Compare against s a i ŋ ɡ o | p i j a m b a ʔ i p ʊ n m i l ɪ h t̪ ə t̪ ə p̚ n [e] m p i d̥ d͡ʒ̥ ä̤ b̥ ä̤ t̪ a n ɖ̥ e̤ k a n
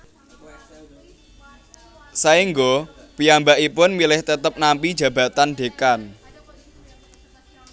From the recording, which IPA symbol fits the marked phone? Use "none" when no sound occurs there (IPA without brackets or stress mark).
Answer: a